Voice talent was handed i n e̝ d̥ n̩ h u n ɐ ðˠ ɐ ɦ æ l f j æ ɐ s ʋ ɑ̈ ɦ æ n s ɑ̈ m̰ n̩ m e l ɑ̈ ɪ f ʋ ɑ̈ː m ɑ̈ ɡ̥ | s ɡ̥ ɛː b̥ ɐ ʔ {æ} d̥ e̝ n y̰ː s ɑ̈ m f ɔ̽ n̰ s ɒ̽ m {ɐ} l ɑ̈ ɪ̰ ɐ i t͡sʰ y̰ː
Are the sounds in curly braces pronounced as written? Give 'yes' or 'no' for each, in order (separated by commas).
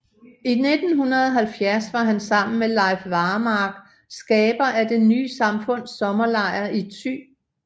yes, yes